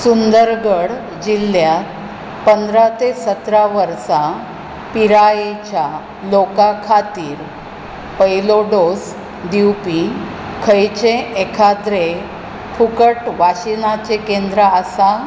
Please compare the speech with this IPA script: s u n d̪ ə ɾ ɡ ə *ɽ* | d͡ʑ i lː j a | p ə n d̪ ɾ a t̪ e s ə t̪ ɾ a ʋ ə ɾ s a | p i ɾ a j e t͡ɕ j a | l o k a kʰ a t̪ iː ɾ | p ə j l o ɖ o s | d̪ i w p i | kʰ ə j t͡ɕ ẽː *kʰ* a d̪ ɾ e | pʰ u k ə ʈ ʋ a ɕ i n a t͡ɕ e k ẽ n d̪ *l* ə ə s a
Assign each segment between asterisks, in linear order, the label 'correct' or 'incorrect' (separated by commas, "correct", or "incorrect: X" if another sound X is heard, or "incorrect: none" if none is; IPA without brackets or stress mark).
correct, correct, incorrect: ɾ